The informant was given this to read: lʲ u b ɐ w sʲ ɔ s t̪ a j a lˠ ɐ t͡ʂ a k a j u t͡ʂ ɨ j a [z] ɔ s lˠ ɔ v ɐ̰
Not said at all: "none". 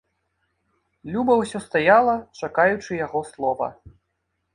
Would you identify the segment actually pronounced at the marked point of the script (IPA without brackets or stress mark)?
ɣ